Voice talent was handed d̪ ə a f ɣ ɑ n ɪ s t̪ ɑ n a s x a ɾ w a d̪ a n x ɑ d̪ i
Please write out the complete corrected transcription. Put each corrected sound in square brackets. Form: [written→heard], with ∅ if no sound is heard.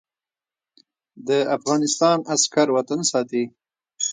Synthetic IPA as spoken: d̪ ə a f ɣ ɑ n ɪ s t̪ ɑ n a s [x→k] a ɾ w a [d̪→t̪] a n [x→s] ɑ [d̪→t̪] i